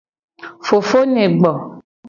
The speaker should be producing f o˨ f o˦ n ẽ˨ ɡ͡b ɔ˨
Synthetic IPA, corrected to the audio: f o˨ f o˦ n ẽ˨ ɡ͡b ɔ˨